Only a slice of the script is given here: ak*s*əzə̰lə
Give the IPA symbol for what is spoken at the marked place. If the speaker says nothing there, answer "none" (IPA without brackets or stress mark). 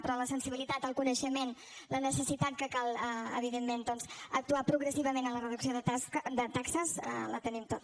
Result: s